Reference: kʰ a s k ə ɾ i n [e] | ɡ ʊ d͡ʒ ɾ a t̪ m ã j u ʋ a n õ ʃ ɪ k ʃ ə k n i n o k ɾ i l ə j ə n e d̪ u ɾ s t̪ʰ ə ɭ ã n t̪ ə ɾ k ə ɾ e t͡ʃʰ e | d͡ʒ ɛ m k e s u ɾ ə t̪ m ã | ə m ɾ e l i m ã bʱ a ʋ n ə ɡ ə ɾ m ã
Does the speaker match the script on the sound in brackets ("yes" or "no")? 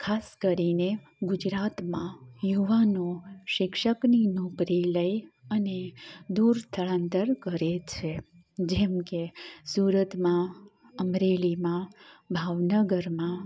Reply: yes